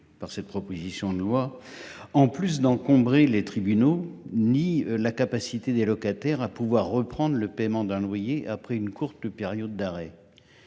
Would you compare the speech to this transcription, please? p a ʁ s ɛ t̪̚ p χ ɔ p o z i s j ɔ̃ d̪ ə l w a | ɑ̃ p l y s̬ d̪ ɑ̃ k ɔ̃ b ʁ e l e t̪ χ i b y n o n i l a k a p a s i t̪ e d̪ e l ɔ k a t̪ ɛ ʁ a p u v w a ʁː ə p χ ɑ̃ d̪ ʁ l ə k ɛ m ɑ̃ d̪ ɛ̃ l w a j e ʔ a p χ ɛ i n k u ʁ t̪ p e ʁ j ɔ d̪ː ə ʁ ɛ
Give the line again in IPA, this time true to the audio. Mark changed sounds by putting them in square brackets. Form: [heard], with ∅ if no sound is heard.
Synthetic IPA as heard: p a ʁ s ɛ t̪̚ p χ ɔ p o z i s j ɔ̃ d̪ ə l w a | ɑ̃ p l y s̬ d̪ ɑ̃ k ɔ̃ b ʁ e l e t̪ χ i b y n o n i l a k a p a s i t̪ e d̪ e l ɔ k a t̪ ɛ ʁ a p u v w a ʁː ə p χ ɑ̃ d̪ ʁ l ə [p] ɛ m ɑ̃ d̪ ɛ̃ l w a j e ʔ a p χ ɛ [y] n k u ʁ t̪ p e ʁ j ɔ d̪ː [a] ʁ ɛ